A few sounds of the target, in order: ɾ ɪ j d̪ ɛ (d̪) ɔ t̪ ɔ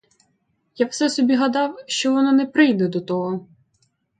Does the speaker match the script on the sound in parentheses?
yes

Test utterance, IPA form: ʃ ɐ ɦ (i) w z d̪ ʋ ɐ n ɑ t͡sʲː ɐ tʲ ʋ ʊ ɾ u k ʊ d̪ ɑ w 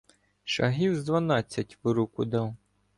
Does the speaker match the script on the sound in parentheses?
yes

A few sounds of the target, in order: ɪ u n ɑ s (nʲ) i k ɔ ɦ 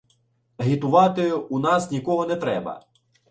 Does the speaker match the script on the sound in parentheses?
yes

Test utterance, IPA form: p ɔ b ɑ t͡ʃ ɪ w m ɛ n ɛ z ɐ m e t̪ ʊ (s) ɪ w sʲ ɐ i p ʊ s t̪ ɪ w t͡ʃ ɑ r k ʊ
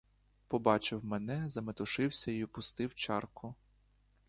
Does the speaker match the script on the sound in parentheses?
no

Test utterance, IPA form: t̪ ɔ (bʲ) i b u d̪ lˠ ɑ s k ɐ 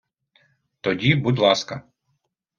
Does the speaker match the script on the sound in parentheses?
no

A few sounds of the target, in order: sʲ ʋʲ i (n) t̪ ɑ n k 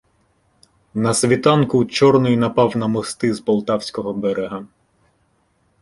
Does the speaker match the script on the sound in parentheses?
no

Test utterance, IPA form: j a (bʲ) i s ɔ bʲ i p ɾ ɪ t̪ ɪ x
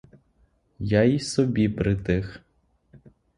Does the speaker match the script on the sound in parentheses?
no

